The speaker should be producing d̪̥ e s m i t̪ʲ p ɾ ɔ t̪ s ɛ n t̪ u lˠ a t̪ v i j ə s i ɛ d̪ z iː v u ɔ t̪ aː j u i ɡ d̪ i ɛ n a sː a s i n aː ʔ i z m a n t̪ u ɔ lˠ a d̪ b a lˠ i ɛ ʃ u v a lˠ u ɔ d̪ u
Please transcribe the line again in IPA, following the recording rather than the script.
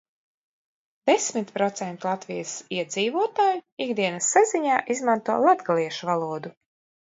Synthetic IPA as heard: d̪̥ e s m i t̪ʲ p ɾ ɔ t̪ s ɛ n t̪ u lˠ a t̪ v i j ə s i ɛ d̪ z iː v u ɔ t̪ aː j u i ɡ d̪ i ɛ n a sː a z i ɲ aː ʔ i z m a n t̪ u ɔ lˠ a d̪ ɡ a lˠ i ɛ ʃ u v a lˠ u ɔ d̪ u